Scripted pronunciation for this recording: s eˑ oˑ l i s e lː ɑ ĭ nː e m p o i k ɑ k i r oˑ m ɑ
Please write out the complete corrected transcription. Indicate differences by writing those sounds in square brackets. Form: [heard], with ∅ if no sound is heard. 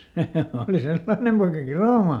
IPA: s eˑ oˑ l i s e lː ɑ ĭ [n] e m p o i k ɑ k i r oˑ m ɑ

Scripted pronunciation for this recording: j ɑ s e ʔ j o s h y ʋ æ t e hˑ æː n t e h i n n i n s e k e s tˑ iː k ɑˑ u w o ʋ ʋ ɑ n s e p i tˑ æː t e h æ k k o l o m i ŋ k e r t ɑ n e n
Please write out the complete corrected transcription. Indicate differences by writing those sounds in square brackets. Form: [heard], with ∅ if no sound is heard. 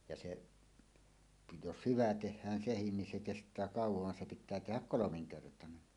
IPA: j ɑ s e ʔ j o s h y ʋ æ t e hˑ æː n [s] e h i n n i n s e k e s tˑ [æː] k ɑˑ u w o ʋ ʋ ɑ n s e p i tˑ æː t e h æ k k o l o m i ŋ k e r t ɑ n e n

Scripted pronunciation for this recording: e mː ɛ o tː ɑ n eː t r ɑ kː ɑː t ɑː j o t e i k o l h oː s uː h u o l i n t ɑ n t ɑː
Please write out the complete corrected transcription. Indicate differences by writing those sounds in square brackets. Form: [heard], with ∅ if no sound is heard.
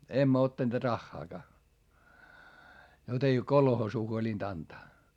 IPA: e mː [æ] o tː ɑ n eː t r ɑ [xː] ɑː [k] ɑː j o t e i k o l h oː s uː h u o l i n t ɑ n t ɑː

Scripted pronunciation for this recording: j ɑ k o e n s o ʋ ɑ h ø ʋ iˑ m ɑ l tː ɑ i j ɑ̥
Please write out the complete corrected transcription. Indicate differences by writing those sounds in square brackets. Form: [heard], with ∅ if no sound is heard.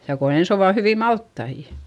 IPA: j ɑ k o e n s o ʋ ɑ h [y] ʋ iˑ m ɑ l tː ɑ i j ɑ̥

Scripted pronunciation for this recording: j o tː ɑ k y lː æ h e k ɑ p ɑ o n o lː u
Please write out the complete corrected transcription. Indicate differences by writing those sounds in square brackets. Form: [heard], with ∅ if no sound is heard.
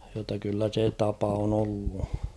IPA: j o tː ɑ k y lː æ [s] e [t] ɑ p ɑ o n o lː u

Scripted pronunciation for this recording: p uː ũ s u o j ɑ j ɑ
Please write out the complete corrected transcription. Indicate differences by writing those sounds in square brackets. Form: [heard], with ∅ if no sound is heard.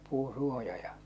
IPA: p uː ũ s u o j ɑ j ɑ

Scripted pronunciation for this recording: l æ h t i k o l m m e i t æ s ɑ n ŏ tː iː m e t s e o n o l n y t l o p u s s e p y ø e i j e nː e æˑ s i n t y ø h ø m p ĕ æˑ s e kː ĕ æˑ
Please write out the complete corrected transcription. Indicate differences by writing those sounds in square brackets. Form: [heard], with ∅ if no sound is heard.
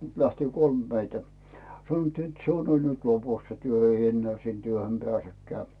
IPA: l æ h t i k o l m m e i t æ s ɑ n ŏ tː iː [n] e t s e o n o l n y t l o p u s s e [t] y ø e i j e nː e æˑ s i n t y ø h ø m p ĕ æˑ s e kː ĕ æˑ

